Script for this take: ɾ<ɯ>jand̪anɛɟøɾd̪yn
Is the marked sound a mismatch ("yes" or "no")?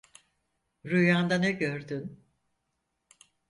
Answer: yes